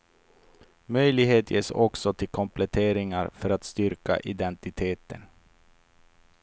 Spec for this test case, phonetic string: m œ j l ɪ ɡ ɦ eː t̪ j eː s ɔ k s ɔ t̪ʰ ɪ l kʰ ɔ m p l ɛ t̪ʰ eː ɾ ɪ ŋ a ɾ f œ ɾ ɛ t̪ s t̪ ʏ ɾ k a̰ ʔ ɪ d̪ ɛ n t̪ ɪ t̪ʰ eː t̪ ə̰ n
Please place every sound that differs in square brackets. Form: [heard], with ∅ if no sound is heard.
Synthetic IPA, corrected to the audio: m œ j l ɪ ɡ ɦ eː t̪ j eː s ɔ k s ɔ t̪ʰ ɪ l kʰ ɔ m p l ɛ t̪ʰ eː ɾ ɪ ŋ a ɾ f œ ɾ [a] t̪ s t̪ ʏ ɾ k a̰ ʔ ɪ d̪ ɛ n t̪ ɪ t̪ʰ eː t̪ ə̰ n